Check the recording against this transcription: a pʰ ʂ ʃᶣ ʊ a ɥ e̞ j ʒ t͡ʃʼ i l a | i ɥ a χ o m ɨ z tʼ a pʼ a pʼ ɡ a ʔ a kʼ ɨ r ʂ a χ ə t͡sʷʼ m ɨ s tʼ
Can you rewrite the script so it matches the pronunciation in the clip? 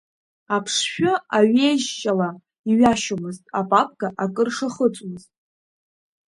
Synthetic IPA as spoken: a pʰ ʂ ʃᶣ ʊ a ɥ e̞ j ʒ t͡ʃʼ a l a | i ɥ a ʃ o m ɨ z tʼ a pʼ a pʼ ɡ a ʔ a kʼ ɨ r ʂ a χ ə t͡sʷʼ m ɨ z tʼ